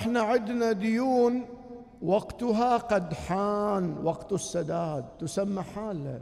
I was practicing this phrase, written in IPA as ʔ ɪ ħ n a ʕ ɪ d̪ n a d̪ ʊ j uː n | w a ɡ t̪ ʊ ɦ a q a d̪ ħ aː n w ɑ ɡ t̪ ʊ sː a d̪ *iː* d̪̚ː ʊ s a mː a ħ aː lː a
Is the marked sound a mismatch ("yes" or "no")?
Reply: yes